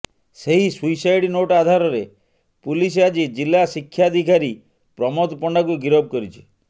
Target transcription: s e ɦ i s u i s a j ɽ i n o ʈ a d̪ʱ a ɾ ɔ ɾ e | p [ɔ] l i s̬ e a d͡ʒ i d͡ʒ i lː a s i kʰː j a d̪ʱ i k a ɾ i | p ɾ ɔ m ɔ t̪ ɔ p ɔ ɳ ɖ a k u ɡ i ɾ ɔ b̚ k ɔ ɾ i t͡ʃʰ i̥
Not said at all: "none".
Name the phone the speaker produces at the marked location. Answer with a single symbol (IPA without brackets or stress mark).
u